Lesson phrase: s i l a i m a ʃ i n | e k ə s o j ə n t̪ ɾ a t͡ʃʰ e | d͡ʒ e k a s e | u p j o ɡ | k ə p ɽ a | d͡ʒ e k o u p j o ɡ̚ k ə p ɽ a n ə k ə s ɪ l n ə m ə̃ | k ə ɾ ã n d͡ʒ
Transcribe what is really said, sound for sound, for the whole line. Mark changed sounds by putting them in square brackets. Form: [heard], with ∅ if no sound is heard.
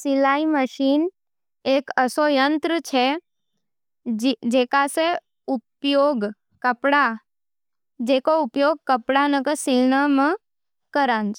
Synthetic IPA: s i l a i m [ə] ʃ i n | e k ə s o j ə n t̪ ɾ [ə] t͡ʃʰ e | d͡ʒ e k a s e | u p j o ɡ | k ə p ɽ a | d͡ʒ e k o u p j o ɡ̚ k ə p ɽ a n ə k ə s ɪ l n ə m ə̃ | k ə ɾ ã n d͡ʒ